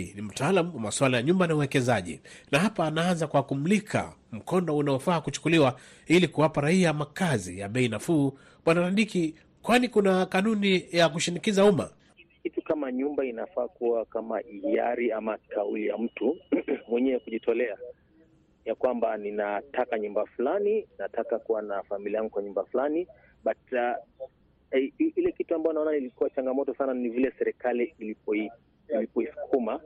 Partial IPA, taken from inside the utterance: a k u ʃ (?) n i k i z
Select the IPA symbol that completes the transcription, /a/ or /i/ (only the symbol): i